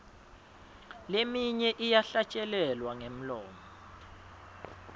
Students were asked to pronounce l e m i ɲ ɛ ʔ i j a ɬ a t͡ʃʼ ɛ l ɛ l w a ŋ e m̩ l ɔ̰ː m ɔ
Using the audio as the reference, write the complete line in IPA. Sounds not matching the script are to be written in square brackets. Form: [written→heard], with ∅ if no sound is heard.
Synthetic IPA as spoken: l e m i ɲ ɛ ʔ i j a ɬ a t͡ʃʼ ɛ l ɛ l w a ŋ e m̩ l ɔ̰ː m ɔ